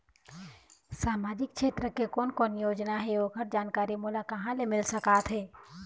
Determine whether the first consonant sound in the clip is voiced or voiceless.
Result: voiceless